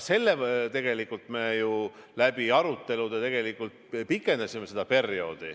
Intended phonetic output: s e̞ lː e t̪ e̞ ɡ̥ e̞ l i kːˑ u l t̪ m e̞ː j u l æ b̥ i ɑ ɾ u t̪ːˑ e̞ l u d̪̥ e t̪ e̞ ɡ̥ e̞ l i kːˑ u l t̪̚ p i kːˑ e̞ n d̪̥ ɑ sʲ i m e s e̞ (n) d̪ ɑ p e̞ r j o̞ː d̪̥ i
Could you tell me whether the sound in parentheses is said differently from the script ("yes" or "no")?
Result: yes